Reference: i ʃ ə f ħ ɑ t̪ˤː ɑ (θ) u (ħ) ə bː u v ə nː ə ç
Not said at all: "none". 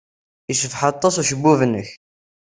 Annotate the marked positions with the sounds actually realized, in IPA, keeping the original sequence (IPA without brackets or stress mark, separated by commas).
s, ʃ